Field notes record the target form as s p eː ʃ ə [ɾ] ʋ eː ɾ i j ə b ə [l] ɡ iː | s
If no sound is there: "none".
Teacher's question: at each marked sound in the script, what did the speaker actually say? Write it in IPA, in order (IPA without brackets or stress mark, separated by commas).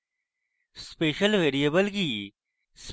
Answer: l, l